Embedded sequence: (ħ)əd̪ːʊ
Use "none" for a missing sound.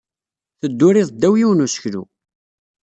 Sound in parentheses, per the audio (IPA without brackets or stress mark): θ